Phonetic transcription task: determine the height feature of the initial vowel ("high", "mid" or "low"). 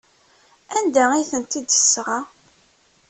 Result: low